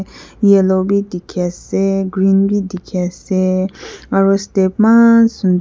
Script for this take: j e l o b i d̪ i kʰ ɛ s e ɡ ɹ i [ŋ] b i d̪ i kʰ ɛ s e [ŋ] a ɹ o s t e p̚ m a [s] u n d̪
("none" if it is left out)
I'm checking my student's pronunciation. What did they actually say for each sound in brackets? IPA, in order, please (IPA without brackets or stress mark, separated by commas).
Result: n, ŋ, s